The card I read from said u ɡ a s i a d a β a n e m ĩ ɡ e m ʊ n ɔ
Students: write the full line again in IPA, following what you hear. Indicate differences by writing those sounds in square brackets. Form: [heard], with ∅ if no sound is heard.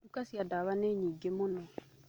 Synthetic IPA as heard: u [k] a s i a d a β a n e [ɲ] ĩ ɡ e m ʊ n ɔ